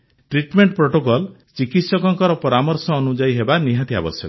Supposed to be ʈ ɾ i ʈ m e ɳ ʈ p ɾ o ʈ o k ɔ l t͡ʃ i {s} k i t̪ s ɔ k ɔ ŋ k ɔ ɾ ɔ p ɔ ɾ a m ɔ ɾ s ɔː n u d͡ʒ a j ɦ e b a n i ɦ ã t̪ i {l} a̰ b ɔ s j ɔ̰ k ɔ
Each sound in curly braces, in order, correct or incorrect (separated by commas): incorrect, incorrect